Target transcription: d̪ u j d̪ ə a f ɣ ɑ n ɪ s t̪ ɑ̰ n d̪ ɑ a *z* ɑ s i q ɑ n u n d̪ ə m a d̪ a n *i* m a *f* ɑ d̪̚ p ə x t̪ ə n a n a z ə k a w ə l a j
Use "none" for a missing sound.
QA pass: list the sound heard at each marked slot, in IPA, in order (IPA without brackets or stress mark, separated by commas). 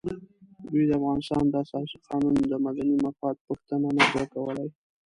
s, i, f